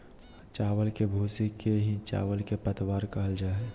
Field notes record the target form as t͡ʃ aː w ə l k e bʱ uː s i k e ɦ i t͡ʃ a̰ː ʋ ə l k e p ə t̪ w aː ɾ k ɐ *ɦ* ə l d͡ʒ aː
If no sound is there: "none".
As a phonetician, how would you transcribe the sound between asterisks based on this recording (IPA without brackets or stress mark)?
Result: ɦ